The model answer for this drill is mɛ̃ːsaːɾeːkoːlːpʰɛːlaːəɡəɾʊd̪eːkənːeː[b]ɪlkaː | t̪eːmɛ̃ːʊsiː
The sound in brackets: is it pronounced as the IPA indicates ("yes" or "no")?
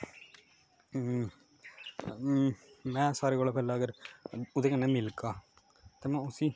no